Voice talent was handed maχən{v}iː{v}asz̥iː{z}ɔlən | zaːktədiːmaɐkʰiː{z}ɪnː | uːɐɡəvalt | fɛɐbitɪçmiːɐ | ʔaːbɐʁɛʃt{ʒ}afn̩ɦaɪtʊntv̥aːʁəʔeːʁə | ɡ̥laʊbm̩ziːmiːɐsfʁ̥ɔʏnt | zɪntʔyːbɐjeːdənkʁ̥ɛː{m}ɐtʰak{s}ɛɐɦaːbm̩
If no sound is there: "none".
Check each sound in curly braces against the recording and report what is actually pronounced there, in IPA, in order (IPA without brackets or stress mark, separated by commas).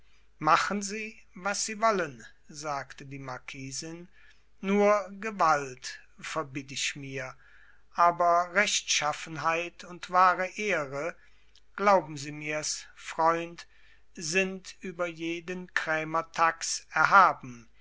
z, v, v, z, ʃ, m, s